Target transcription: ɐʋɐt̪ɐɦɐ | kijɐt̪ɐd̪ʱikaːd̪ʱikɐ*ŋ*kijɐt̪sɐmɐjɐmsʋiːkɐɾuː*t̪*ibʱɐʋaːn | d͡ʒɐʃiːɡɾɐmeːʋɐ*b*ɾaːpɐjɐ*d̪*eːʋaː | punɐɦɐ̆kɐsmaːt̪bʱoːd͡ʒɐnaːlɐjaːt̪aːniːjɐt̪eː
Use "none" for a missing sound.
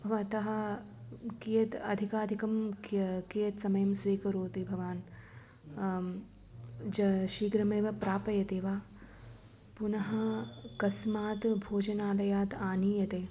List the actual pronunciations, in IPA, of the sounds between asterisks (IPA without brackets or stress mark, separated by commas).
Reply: m, t̪, p, t̪